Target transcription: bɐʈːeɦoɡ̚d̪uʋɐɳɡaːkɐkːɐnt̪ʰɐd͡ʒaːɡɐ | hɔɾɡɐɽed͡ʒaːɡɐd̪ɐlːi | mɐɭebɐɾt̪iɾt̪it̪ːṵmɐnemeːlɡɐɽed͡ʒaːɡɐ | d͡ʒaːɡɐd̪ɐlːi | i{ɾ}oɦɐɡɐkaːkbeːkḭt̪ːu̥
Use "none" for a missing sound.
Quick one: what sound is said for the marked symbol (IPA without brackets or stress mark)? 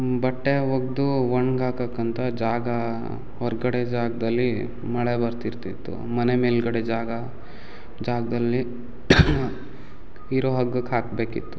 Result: ɾ